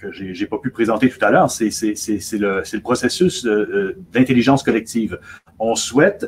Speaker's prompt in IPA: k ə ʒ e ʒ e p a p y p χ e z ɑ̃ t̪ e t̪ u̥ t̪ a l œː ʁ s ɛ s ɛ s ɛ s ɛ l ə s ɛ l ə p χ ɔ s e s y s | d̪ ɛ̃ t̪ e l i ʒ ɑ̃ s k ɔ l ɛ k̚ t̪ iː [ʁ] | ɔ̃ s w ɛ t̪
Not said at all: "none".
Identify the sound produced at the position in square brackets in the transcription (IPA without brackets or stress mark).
v